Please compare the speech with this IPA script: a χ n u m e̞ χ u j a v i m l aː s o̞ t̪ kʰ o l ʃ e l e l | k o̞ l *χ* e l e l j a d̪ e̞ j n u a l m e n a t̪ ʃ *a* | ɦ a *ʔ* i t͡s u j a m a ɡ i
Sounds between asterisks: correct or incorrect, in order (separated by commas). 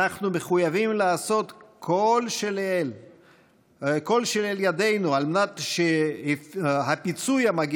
incorrect, incorrect, incorrect